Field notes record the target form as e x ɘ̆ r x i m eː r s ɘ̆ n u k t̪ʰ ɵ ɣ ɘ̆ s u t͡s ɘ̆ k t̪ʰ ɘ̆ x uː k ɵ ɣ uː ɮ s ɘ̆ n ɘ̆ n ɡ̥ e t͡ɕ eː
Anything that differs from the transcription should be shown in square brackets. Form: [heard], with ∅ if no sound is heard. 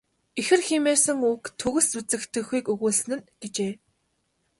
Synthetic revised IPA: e x ɘ̆ r x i m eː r s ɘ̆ [ŋ] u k t̪ʰ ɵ ɣ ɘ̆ s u t͡s ɘ̆ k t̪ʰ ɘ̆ x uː k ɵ ɣ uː ɮ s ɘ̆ n ɘ̆ n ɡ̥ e t͡ɕ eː